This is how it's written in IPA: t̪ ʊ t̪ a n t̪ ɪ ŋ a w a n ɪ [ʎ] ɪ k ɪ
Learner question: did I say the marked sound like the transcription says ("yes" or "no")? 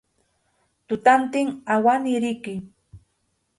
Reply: no